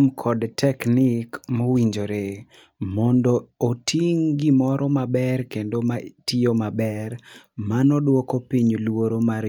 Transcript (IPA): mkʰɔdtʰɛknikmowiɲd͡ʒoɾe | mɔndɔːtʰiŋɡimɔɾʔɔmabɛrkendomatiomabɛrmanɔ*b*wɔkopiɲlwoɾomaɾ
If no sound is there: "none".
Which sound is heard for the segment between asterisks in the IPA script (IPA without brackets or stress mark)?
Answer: d